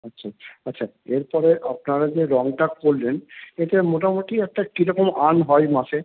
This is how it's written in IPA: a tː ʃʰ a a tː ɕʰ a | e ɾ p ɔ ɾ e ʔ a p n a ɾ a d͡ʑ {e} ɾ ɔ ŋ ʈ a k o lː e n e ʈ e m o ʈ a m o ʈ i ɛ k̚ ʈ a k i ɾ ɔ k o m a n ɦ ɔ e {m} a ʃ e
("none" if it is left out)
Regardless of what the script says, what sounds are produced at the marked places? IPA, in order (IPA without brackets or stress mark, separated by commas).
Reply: e, m